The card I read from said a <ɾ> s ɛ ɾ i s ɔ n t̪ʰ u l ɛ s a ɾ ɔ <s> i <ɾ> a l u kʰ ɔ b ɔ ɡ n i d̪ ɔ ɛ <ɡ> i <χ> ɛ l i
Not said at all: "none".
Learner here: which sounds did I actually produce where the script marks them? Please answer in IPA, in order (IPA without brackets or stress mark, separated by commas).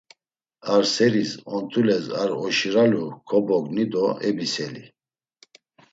ɾ, ʃ, ɾ, b, s